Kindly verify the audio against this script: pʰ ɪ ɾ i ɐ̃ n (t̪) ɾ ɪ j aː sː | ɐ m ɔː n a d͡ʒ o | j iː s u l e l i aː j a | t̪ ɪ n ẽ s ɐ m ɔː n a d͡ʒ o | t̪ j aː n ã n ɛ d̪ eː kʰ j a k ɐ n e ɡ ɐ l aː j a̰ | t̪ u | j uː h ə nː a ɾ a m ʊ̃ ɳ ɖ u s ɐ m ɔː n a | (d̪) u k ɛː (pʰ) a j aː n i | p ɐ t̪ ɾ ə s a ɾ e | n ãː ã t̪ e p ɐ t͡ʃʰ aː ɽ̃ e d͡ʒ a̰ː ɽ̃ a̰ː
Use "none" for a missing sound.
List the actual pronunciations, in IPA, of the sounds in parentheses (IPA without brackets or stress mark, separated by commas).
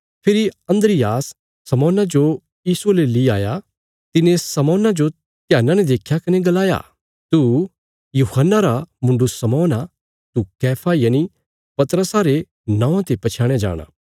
d̪, t̪, pʰ